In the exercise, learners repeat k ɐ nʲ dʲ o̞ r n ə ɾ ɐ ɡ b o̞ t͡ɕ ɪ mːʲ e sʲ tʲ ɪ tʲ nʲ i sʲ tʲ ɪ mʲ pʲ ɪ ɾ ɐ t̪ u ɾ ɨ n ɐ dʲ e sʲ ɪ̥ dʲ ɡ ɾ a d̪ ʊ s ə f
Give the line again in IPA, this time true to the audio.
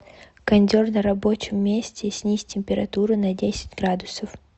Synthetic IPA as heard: k ɐ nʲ dʲ o̞ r n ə ɾ ɐ b o̞ t͡ɕ ɪ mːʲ e sʲ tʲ ɪ sʲ nʲ i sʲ tʲ ɪ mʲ pʲ ɪ ɾ ɐ t̪ u ɾ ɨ n ɐ dʲ e sʲ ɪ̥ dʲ ɡ ɾ a d̪ ʊ s ə f